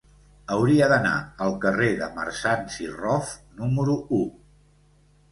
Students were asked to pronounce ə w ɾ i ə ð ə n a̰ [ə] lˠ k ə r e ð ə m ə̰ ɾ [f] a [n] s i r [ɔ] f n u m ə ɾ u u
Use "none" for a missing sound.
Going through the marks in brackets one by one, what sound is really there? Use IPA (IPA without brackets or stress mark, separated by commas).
ə, s, n, ɔ